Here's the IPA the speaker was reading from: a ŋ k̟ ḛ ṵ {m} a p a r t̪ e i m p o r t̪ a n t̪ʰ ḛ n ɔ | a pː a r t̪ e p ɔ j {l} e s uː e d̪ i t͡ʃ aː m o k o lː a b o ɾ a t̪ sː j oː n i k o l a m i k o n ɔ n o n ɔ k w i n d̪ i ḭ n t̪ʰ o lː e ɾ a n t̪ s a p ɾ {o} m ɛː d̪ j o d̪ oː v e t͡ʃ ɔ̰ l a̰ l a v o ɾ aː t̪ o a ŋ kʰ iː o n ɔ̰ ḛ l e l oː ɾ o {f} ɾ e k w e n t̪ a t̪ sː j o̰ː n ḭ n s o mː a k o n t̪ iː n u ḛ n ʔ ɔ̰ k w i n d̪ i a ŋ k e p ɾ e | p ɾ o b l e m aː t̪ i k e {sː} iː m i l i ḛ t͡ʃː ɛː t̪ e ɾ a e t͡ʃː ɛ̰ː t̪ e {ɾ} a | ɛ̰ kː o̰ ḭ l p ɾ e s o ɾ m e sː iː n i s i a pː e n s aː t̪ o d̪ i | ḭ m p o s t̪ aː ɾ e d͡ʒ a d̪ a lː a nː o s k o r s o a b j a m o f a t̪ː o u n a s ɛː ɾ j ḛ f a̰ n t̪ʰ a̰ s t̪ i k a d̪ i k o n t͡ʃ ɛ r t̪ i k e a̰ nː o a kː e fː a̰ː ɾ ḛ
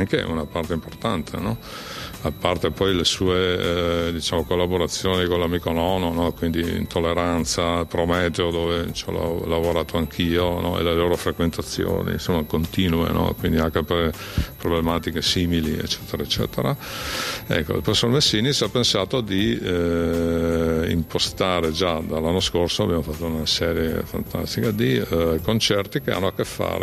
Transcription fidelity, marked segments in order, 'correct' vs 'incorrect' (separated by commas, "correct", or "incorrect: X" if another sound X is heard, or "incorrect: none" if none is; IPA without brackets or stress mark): incorrect: n, correct, correct, correct, incorrect: s, correct